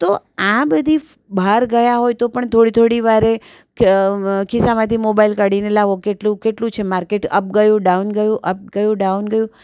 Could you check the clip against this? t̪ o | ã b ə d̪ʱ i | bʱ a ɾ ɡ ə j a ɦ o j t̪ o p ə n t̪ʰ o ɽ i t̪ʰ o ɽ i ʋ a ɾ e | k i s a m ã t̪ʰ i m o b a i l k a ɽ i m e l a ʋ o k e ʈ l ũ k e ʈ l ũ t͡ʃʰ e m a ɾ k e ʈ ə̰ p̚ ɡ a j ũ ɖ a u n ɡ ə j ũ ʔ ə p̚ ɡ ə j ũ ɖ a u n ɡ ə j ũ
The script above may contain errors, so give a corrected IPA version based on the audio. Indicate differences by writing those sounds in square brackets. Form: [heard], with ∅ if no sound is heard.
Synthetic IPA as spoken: t̪ o | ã b ə d̪ʱ i | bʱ a ɾ ɡ ə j a ɦ o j t̪ o p ə [ɳ] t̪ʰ o ɽ i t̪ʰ o ɽ i ʋ a ɾ e | k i s a m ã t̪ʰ i m o b a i l k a ɽ i [n] e l a ʋ o k e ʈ l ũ k e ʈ l ũ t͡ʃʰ e m a ɾ k e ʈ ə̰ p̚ ɡ [ə] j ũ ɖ a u n ɡ ə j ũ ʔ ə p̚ ɡ ə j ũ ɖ a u n ɡ ə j ũ